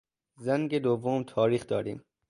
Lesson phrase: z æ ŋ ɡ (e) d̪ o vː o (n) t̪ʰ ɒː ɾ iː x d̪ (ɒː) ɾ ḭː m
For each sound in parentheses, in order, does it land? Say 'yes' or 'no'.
yes, no, yes

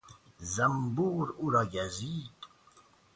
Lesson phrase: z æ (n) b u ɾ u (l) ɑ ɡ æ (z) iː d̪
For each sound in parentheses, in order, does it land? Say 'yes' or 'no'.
no, no, yes

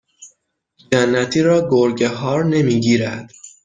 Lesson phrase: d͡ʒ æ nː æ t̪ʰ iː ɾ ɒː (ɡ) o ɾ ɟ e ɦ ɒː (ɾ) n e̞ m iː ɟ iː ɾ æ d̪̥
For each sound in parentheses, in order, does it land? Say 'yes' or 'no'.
yes, yes

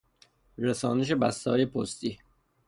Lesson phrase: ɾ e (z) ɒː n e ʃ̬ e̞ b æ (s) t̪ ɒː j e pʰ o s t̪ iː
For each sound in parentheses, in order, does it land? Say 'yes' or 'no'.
no, yes

